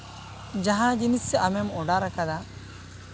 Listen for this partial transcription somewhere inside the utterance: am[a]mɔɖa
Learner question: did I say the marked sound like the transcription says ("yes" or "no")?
no